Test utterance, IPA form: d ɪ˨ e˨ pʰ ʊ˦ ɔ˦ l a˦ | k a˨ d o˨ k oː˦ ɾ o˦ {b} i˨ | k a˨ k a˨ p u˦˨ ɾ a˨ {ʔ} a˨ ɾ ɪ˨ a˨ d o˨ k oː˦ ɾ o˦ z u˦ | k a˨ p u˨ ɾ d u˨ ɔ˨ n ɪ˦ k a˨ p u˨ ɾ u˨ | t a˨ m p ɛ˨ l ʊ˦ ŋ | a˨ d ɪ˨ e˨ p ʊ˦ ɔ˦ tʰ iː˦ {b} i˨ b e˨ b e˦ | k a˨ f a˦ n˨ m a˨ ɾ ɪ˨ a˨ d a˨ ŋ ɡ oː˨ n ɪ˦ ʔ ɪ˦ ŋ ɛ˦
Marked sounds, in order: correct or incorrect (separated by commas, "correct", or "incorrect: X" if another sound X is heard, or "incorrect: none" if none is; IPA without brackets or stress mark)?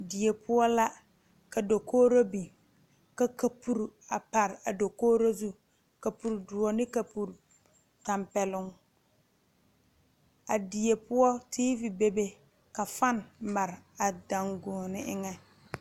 correct, incorrect: p, incorrect: v